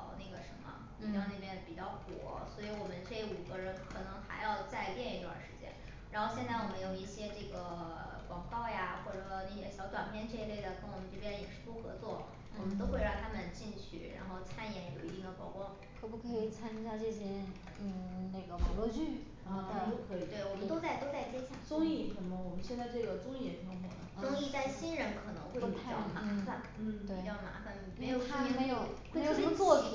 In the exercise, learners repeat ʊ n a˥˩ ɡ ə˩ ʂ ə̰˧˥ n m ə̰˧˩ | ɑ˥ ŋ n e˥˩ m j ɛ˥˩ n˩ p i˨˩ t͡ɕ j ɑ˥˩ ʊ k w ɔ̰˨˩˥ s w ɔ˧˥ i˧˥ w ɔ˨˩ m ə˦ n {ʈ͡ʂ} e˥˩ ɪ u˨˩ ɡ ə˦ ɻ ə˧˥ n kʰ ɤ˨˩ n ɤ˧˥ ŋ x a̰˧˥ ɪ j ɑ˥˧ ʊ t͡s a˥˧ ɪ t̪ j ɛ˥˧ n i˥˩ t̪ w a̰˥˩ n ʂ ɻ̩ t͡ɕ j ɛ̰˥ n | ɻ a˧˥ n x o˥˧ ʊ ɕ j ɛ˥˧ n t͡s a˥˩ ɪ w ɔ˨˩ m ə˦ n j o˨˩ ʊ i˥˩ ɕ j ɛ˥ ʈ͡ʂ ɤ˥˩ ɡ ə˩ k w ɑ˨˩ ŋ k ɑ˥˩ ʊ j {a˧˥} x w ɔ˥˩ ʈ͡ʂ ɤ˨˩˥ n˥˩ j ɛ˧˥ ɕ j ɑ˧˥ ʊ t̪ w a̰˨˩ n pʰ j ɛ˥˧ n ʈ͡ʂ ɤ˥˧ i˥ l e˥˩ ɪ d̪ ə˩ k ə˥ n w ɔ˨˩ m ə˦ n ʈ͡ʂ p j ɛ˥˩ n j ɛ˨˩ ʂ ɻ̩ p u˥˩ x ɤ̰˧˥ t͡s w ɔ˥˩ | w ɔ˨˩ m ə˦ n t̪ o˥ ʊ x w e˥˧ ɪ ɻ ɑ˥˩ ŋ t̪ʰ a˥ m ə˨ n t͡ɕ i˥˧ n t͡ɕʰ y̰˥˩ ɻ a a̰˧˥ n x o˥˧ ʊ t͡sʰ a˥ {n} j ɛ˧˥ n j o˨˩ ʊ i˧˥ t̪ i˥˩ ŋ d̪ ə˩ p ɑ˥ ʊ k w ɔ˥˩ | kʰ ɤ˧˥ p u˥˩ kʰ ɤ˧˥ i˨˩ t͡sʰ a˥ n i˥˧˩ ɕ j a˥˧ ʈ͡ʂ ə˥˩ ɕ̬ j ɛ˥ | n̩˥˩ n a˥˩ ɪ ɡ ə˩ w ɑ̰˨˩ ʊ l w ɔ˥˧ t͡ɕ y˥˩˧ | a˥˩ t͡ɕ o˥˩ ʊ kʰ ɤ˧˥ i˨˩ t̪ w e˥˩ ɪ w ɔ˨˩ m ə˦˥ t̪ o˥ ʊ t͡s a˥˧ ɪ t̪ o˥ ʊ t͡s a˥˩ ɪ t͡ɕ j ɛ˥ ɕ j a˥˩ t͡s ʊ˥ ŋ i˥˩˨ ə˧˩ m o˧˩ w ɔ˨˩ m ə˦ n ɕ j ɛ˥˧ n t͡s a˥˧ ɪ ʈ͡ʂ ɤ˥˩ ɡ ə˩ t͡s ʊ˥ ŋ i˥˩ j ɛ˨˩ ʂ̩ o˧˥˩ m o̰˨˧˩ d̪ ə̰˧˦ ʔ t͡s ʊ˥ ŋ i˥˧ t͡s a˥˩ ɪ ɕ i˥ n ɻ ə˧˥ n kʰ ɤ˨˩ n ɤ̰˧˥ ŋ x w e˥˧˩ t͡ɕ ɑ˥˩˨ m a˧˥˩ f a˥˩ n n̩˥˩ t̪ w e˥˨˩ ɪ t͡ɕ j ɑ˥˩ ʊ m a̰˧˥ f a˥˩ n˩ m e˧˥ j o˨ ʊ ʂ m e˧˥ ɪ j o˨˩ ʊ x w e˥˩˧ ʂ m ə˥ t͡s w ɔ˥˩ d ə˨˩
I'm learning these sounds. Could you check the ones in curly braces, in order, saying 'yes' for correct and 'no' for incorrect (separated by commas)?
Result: yes, no, yes